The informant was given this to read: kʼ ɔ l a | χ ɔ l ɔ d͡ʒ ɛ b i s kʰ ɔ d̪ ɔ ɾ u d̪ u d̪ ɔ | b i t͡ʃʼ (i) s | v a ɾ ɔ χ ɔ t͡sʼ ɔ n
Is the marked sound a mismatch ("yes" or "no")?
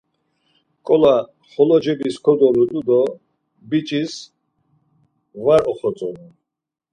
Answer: no